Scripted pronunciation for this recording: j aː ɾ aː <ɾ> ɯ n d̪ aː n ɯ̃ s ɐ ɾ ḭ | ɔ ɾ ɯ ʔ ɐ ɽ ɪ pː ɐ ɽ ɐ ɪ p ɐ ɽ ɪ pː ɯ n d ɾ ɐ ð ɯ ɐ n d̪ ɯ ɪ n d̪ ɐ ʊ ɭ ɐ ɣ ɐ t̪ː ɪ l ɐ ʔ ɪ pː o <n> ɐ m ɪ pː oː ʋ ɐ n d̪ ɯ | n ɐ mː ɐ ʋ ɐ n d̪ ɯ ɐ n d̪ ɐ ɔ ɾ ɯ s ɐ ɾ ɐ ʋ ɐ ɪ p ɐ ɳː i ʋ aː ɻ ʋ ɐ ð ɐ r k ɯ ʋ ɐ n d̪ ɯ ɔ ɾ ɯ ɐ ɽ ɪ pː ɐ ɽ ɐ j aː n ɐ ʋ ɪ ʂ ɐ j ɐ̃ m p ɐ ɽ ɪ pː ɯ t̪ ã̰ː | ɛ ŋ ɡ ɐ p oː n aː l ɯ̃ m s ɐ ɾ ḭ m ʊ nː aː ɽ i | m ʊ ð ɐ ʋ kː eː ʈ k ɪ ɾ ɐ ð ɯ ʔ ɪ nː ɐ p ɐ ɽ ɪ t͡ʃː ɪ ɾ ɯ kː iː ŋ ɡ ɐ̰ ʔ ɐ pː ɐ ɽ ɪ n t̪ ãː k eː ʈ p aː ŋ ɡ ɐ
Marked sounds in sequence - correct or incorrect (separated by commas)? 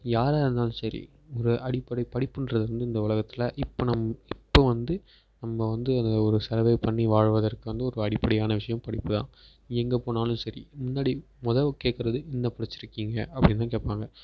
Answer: correct, correct